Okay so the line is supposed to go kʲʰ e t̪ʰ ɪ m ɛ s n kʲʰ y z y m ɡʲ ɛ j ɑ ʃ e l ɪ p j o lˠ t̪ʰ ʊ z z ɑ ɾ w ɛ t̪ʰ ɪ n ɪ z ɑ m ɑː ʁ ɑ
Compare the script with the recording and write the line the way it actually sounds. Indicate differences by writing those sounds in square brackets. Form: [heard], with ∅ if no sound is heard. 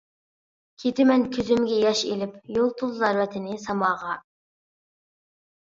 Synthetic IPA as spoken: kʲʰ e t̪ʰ ɪ m ɛ [∅] n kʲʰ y z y m ɡʲ ɛ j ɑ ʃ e l ɪ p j o lˠ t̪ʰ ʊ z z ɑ ɾ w ɛ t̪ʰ ɪ n ɪ [s] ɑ m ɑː ʁ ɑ